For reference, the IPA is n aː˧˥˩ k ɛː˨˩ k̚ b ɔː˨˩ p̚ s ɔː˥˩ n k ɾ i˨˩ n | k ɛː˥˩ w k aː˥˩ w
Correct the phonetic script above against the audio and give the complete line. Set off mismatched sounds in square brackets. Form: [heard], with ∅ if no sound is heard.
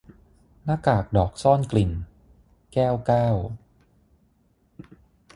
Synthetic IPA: n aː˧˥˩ k [aː˨˩] k̚ [d] ɔː˨˩ [k̚] s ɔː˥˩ n k [l] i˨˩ n | k ɛː˥˩ w k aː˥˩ w